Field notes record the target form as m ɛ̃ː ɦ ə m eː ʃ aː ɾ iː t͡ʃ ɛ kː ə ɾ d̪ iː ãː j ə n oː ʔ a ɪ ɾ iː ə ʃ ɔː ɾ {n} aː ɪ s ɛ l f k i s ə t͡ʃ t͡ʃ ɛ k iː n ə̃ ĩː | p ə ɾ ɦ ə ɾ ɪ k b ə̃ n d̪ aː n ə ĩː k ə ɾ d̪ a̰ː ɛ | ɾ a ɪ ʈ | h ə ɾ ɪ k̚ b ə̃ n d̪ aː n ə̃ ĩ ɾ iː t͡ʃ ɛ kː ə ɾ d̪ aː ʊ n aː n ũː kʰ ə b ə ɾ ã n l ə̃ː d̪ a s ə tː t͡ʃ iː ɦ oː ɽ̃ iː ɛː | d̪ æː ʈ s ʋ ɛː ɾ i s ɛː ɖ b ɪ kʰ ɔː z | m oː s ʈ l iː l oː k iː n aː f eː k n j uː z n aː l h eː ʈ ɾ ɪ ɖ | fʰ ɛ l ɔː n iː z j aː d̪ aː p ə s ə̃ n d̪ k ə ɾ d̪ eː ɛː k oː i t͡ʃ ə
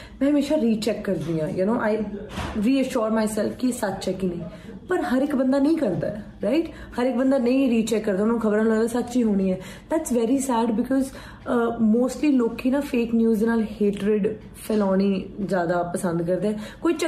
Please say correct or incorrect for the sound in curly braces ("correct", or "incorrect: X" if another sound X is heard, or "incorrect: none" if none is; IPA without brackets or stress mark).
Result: incorrect: m